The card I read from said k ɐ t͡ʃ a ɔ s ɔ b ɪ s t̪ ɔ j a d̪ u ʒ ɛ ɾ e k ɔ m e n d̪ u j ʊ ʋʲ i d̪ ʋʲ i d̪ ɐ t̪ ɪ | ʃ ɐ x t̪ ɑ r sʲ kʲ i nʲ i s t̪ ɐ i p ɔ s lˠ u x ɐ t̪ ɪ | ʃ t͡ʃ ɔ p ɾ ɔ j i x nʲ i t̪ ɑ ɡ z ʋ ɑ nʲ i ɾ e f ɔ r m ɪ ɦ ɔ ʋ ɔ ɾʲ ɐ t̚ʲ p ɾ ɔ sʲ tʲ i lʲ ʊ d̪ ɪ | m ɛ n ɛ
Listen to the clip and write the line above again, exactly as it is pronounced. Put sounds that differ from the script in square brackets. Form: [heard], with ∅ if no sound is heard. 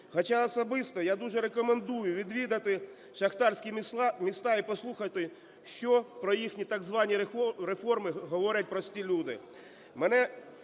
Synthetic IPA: [x] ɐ t͡ʃ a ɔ s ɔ b ɪ s t̪ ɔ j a d̪ u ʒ ɛ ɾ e k ɔ m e n d̪ u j ʊ ʋʲ i d̪ ʋʲ i d̪ ɐ t̪ ɪ | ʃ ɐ x t̪ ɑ r sʲ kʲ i [mʲ] i s t̪ [ɑ] i p ɔ s lˠ u x ɐ t̪ ɪ | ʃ t͡ʃ ɔ p ɾ ɔ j i x nʲ i t̪ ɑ ɡ z ʋ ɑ nʲ i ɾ e f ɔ r m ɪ ɦ ɔ ʋ ɔ ɾʲ ɐ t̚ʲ p ɾ ɔ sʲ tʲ i lʲ [u] d̪ ɪ | m ɛ n ɛ